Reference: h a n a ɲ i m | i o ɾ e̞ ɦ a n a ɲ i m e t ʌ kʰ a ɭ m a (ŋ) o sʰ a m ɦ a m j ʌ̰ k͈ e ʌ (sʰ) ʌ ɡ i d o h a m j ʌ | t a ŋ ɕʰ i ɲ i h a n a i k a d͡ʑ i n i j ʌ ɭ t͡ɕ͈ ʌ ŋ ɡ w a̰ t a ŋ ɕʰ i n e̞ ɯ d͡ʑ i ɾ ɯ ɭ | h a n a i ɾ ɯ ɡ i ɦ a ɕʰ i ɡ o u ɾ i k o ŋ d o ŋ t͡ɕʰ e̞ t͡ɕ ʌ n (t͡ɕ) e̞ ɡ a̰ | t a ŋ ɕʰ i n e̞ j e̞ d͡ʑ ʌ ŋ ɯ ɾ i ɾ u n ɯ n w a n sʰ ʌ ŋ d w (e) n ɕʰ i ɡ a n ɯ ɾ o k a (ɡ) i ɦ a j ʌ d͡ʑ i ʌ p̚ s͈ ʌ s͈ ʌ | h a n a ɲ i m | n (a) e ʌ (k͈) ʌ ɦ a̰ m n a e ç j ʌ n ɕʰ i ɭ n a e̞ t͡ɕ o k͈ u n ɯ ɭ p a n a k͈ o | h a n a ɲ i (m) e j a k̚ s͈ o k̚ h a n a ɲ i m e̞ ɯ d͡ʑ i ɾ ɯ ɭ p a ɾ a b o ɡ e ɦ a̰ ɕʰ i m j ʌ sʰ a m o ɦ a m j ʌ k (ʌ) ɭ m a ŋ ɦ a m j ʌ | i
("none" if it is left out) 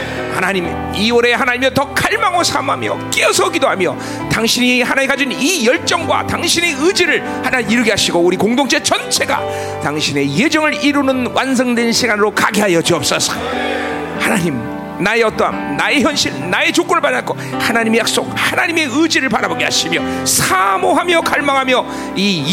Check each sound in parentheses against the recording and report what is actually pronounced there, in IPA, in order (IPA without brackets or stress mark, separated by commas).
ŋ, sʰ, t͡ɕʰ, e, ɡ, a, t͈, m, a